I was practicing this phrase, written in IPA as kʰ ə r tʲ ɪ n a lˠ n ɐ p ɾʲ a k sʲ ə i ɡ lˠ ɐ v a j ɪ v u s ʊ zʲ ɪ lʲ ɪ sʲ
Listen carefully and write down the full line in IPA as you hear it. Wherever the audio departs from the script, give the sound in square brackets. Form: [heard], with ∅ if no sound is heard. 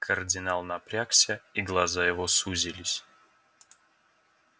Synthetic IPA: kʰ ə r [dʲ] ɪ n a lˠ n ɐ p ɾʲ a k sʲ ə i ɡ lˠ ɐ [z] a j ɪ v [o] s [u] zʲ ɪ lʲ ɪ sʲ